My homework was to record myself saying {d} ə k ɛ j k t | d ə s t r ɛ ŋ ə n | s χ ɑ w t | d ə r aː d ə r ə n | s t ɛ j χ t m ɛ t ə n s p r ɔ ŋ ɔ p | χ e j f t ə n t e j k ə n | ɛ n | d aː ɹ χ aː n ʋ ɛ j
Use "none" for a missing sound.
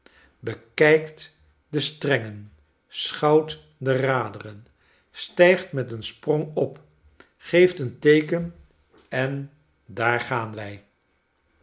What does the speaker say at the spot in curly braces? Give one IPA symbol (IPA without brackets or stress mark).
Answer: b